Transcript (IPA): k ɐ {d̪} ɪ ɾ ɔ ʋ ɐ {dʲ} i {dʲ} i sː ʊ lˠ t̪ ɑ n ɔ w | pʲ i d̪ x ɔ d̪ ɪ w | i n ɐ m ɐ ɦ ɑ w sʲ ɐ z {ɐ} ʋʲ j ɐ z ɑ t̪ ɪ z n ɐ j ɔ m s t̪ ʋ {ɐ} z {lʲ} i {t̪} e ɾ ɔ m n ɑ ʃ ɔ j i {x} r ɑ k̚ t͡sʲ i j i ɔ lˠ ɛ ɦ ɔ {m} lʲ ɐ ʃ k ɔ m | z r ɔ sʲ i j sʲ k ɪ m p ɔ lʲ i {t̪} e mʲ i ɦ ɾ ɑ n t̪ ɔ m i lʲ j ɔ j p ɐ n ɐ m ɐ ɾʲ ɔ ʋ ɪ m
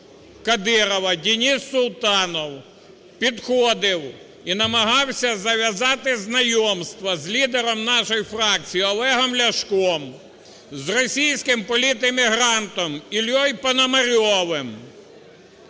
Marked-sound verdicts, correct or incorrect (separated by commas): correct, correct, incorrect, correct, correct, correct, incorrect, incorrect, correct, correct